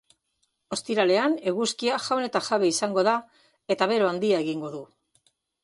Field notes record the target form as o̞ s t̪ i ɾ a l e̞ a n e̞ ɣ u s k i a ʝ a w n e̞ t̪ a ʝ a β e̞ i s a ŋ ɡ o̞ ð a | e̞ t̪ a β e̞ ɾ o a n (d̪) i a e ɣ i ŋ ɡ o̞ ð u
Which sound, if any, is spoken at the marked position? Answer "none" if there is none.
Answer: d̪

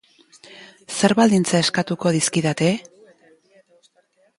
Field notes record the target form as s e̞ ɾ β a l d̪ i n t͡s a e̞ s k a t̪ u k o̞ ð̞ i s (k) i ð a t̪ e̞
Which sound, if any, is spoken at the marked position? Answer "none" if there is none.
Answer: k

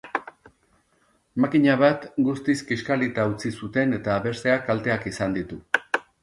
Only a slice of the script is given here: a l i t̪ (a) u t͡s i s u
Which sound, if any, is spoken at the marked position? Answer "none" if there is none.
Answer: a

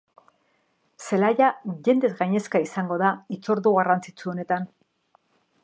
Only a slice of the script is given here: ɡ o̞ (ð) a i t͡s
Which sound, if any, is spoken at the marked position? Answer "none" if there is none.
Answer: ð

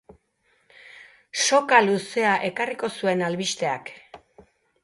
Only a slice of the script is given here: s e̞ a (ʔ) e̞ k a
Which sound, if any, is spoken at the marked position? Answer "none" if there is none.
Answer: ʔ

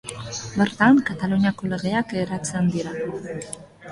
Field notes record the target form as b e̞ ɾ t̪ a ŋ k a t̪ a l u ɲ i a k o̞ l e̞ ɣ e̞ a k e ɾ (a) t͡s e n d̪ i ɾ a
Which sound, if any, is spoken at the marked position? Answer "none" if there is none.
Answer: a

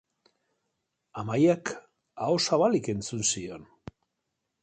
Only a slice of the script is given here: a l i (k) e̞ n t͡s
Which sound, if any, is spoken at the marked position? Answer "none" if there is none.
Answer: k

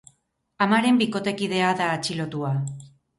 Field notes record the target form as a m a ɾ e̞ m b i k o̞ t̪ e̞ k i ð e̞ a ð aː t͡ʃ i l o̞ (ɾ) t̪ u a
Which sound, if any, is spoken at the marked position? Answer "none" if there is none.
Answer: none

